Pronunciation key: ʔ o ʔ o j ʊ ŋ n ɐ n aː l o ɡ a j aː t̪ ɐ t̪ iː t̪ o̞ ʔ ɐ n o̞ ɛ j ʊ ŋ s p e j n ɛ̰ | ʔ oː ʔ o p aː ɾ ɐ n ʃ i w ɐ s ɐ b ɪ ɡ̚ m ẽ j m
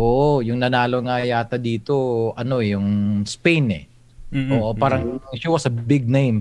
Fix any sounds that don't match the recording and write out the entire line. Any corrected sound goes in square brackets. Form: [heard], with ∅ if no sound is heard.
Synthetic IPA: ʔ o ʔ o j ʊ ŋ n ɐ n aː l o [ŋ] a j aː t̪ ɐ [d̪] iː t̪ o̞ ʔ ɐ n o̞ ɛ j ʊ ŋ s p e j n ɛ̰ | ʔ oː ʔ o p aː ɾ ɐ [ŋ] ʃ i w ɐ s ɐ b ɪ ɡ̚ [n] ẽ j m